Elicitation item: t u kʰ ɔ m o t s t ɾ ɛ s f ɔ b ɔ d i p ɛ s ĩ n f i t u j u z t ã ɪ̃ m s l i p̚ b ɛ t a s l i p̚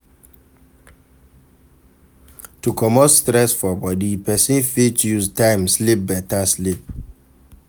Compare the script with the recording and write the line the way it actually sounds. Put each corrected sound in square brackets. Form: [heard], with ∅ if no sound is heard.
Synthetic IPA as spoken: t u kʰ ɔ m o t s t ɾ ɛ s f ɔ b ɔ d i p ɛ s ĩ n f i t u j u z t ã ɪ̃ m s l i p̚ b ɛ t a s l i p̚